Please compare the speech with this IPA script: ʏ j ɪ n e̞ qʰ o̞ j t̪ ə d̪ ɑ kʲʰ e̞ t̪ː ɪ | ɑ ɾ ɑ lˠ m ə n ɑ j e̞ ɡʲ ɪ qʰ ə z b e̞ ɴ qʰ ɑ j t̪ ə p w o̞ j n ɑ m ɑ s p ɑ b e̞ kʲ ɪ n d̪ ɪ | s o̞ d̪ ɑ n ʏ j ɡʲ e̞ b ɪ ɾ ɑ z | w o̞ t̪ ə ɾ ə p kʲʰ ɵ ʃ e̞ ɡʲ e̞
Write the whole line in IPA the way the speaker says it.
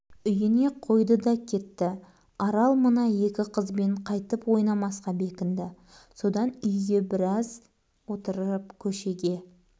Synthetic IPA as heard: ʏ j ɪ n e̞ qʰ o̞ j d̪ ə d̪ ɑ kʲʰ e̞ t̪ː ɪ | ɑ ɾ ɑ lˠ m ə n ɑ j e̞ kʲ ɪ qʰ ə z b e̞ ɴ qʰ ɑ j t̪ ə p w o̞ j n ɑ m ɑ s q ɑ b e̞ kʲ ɪ n d̪ ɪ | s o̞ d̪ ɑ n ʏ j ɡʲ e̞ b ɪ ɾ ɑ z | w o̞ t̪ ə ɾ ə p kʲʰ ɵ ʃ e̞ ɡʲ e̞